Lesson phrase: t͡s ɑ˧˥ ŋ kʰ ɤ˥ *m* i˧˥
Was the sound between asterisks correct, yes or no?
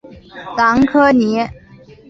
no